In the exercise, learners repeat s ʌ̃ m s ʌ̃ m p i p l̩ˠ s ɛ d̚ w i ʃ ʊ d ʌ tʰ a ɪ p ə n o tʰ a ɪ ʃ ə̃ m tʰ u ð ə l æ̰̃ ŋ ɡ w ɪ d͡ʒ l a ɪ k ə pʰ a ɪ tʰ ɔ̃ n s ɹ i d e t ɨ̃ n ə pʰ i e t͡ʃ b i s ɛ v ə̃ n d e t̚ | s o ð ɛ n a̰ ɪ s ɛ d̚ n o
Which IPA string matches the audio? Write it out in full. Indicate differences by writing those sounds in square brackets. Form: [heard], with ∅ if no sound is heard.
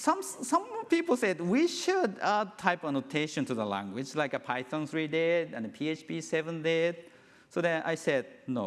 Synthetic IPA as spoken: s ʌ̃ m s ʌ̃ m p i p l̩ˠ s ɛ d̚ w i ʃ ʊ d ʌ tʰ a ɪ p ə n o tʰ [e] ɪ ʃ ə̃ [n] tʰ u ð ə l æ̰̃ ŋ ɡ w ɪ d͡ʒ l a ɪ k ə pʰ a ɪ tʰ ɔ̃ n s ɹ i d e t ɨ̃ n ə pʰ i e t͡ʃ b i s ɛ v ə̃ n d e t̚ | s o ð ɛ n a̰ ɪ s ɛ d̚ n o